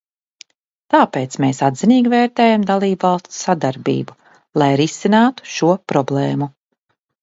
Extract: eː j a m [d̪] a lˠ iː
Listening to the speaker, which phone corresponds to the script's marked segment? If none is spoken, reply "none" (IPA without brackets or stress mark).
d̪